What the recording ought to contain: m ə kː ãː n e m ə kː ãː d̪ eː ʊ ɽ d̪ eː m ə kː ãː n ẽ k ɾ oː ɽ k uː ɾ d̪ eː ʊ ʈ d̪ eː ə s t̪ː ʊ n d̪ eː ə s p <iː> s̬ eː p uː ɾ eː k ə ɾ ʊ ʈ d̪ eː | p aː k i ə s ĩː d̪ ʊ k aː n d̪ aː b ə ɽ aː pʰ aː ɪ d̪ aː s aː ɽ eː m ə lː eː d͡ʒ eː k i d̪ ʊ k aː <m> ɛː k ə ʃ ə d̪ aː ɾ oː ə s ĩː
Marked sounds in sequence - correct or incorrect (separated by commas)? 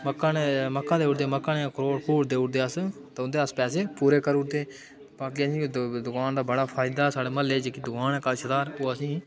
incorrect, incorrect